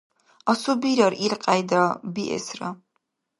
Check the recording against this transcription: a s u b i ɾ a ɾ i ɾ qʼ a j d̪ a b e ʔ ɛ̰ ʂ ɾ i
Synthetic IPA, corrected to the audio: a s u b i ɾ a ɾ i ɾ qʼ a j d̪ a b i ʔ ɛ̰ s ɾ a